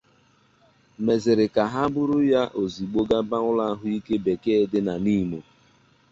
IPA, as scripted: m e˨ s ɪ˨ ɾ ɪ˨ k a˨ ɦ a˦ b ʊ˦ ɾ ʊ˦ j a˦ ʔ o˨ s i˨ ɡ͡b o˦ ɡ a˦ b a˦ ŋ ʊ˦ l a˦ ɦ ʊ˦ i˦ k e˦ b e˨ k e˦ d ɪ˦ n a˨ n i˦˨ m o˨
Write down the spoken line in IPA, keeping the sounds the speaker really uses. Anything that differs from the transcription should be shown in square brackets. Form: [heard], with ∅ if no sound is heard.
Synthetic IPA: m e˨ [z] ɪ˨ ɾ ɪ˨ k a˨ ɦ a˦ b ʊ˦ ɾ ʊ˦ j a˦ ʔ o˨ [z] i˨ ɡ͡b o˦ ɡ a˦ b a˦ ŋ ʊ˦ l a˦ ɦ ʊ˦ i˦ k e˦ b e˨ k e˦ d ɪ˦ n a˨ n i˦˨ m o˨

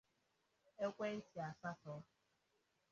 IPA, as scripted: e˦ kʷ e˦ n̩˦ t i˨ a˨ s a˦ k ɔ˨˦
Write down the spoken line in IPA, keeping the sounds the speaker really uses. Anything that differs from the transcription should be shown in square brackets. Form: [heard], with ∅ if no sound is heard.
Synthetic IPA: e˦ kʷ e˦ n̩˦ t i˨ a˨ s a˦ [t] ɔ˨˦

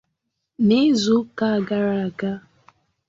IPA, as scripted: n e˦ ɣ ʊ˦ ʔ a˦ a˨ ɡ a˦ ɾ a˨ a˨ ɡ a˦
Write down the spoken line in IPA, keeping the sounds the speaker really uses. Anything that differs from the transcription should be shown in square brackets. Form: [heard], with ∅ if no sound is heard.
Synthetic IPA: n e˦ [z] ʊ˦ [k] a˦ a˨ ɡ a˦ ɾ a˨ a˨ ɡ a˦

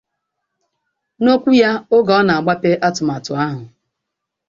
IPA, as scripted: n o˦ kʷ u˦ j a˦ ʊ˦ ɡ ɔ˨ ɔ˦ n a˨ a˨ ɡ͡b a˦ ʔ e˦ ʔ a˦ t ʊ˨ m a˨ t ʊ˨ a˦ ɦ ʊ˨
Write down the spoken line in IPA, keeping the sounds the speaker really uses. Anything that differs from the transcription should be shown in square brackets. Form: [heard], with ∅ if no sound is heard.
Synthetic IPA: n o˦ kʷ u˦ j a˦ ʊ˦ ɡ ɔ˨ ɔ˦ n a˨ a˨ ɡ͡b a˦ [p] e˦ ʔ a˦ t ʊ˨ m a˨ t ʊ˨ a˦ ɦ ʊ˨

